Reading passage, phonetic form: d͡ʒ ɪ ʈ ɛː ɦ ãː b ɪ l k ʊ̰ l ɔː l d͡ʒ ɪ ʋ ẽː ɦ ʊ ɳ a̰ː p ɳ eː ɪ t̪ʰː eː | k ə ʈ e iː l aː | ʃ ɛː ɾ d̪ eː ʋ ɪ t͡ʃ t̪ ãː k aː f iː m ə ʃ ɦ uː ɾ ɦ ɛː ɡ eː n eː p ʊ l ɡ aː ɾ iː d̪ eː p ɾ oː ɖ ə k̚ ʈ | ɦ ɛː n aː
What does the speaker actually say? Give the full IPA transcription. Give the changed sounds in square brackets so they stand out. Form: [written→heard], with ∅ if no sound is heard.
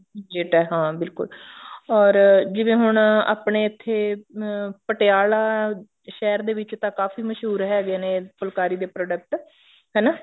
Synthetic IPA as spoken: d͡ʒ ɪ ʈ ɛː ɦ ãː b ɪ l k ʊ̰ l ɔː [l→ɾ] d͡ʒ ɪ ʋ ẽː ɦ ʊ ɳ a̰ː p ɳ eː ɪ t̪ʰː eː | [k→p] ə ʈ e [iː→aː] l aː | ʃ ɛː ɾ d̪ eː ʋ ɪ t͡ʃ t̪ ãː k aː f iː m ə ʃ ɦ uː ɾ ɦ ɛː ɡ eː n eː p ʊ l [ɡ→k] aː ɾ iː d̪ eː p ɾ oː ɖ ə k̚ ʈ | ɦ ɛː n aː